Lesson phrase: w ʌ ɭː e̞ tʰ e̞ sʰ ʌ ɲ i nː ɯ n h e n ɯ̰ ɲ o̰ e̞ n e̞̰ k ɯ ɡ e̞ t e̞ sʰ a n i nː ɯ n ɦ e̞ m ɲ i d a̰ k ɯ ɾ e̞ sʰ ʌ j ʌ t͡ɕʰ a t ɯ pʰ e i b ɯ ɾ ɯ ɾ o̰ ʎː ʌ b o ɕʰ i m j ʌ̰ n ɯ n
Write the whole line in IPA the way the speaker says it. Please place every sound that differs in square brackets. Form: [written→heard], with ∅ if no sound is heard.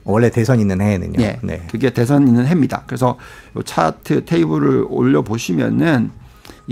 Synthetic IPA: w ʌ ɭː e̞ [tʰ→t] e̞ sʰ ʌ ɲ i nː ɯ n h e n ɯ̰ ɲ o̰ e̞ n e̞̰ k ɯ ɡ e̞ t e̞ sʰ [a→ʌ] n i nː ɯ n ɦ e̞ m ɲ i d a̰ k ɯ ɾ e̞ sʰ ʌ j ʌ t͡ɕʰ a [t→tʰ] ɯ [pʰ→tʰ] e i b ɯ ɾ ɯ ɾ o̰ ʎː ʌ b o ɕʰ i m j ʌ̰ n ɯ n

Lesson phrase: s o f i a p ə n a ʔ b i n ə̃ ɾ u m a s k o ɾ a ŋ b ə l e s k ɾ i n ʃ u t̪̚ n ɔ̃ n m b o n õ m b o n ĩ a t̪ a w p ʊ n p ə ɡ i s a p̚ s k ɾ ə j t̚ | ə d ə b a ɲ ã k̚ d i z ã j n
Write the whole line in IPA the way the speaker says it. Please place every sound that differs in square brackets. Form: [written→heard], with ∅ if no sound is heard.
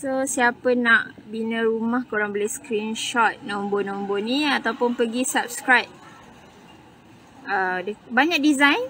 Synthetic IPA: s o [f→s] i a p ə n a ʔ b i n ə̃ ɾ u m a [s→h] k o ɾ a ŋ b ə l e s k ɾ i n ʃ [u→ɔ] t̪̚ n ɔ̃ [n→∅] m b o n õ m b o n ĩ a t̪ a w p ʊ n p ə ɡ i s a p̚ s k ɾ [ə→a] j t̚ | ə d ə b a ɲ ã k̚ d i z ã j n

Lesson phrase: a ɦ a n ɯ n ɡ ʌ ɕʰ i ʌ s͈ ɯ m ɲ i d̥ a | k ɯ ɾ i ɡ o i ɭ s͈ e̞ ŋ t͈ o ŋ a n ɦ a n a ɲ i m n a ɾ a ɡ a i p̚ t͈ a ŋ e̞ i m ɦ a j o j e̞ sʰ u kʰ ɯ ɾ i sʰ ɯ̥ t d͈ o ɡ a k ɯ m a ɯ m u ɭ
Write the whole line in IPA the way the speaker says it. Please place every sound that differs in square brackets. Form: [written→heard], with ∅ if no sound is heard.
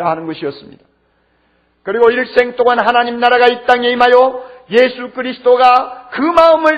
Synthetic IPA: a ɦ a n ɯ n ɡ ʌ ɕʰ i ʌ s͈ ɯ m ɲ i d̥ a | k ɯ ɾ i ɡ o i ɭ s͈ e̞ ŋ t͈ o ŋ a n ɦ a n a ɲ i m n a ɾ a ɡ a i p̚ t͈ a ŋ e̞ i m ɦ a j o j e̞ sʰ u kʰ ɯ ɾ i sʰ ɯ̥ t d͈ o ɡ a k ɯ m a ɯ m [u→ɯ] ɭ

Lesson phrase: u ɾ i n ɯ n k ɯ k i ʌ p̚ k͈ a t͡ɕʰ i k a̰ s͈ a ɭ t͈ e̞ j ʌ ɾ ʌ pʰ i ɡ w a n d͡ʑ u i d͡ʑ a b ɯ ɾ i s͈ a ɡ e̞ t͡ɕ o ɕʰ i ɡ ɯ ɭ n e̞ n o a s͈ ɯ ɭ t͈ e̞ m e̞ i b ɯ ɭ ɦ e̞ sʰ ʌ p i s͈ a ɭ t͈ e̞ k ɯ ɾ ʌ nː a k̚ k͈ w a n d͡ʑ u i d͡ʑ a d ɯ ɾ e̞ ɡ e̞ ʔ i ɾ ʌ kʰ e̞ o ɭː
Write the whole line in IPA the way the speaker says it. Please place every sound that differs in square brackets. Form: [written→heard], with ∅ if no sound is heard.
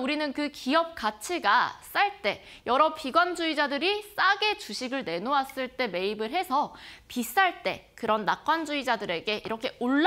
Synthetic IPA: u ɾ i n ɯ n k ɯ k i ʌ p̚ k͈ a t͡ɕʰ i [k→ɡ] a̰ s͈ a ɭ t͈ e̞ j ʌ ɾ ʌ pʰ i ɡ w a n d͡ʑ u i d͡ʑ a [b→d] ɯ ɾ i s͈ a ɡ e̞ t͡ɕ [o→u] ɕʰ i ɡ ɯ ɭ n e̞ n o a s͈ ɯ ɭ t͈ e̞ m e̞ i b ɯ ɭ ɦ e̞ sʰ ʌ p i s͈ a ɭ t͈ e̞ k ɯ ɾ ʌ nː a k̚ k͈ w a n d͡ʑ u i d͡ʑ a d ɯ ɾ e̞ ɡ e̞ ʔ i ɾ ʌ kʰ e̞ o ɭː

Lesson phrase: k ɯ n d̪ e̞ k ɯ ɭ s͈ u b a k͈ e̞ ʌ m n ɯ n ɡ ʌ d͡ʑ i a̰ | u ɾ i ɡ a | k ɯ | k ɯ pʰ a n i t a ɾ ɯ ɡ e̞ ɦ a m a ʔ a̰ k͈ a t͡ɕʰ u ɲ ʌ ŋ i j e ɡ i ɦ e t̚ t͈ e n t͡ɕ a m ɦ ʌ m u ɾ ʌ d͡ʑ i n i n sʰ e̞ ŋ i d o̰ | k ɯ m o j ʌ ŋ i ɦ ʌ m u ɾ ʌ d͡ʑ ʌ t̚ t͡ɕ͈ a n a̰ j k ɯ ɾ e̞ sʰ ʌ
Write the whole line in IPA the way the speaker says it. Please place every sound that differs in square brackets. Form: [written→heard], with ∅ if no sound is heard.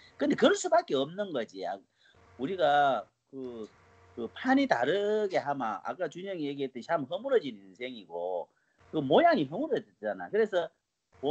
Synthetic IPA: k ɯ n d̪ e̞ k ɯ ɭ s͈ u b a k͈ e̞ ʌ m n ɯ n ɡ ʌ d͡ʑ i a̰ | u ɾ i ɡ a | k ɯ | k ɯ pʰ a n i t a ɾ ɯ ɡ e̞ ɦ a m a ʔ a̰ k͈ a [t͡ɕʰ→t͡ɕ] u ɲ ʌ ŋ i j e ɡ i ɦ e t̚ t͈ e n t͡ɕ a m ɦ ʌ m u ɾ ʌ d͡ʑ i n i n sʰ e̞ ŋ i [d→ɡ] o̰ | k ɯ m o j [ʌ→a] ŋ i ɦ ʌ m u ɾ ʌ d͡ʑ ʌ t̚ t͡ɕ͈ a n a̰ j k ɯ ɾ e̞ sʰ ʌ

